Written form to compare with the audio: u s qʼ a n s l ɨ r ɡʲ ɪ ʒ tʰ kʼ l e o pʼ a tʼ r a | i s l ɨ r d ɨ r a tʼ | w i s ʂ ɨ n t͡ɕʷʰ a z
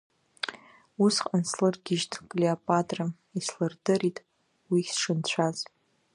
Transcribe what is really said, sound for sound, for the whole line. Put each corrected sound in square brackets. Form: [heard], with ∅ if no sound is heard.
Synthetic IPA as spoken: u s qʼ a n s l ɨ r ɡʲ ɪ ʒ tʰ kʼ l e o pʼ a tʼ r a | i s l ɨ r d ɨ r [i] tʼ | w i s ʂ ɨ n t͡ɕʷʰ a z